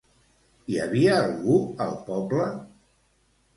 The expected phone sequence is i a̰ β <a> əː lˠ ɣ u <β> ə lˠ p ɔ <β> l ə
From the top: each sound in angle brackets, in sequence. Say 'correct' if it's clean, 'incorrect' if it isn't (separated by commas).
incorrect, incorrect, incorrect